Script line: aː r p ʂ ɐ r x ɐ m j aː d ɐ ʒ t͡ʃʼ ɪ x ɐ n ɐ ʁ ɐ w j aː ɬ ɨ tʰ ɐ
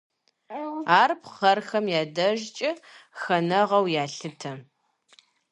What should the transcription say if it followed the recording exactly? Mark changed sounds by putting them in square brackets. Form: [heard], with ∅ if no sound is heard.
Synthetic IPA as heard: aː r p [χ] ɐ r x ɐ m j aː d ɐ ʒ t͡ʃʼ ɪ x ɐ n ɐ ʁ ɐ w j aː ɬ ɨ tʰ ɐ